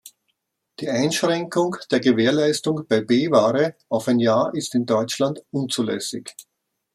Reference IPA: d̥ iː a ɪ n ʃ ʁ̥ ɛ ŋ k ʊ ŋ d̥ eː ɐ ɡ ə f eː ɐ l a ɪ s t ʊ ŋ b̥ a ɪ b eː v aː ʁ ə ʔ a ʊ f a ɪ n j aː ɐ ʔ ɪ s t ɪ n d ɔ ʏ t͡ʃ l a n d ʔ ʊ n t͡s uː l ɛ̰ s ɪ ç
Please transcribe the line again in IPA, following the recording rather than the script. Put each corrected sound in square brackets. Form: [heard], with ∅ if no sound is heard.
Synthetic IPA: d̥ iː a ɪ n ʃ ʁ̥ ɛ ŋ k ʊ ŋ d̥ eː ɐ ɡ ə [v] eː ɐ l a ɪ s t ʊ ŋ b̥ a ɪ b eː v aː ʁ ə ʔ a ʊ f a ɪ n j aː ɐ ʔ ɪ s t ɪ n d ɔ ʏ t͡ʃ l a n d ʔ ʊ n t͡s uː l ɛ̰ s ɪ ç